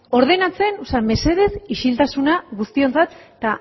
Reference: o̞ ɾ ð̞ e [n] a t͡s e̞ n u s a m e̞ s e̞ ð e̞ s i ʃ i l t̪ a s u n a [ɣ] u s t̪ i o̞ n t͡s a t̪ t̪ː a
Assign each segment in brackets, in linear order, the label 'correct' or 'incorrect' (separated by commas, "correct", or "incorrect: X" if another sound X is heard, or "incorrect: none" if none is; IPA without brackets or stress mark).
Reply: correct, correct